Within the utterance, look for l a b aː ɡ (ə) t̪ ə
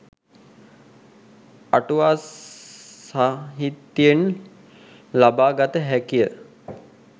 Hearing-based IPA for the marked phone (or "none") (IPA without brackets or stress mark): a